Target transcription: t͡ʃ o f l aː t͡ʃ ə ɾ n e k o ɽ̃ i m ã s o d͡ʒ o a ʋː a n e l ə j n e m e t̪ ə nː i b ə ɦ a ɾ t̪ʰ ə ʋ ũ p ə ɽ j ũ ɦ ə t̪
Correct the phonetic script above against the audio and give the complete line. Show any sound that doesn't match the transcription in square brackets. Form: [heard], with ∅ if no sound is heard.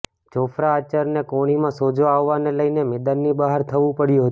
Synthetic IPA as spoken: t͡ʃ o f [ɾ] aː t͡ʃ ə ɾ n e k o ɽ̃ i m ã s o d͡ʒ o a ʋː a n e l ə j n e m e [d̪] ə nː i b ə ɦ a ɾ t̪ʰ ə ʋ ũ p ə ɽ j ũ ɦ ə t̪